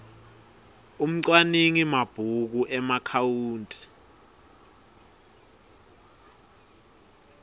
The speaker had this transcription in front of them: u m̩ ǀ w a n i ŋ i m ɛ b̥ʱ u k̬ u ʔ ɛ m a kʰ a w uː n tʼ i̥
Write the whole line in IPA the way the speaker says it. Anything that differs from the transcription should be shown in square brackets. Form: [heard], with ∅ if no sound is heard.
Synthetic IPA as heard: u m̩ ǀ w a n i ŋ i m [a] b̥ʱ u k̬ u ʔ ɛ m a kʰ a w uː n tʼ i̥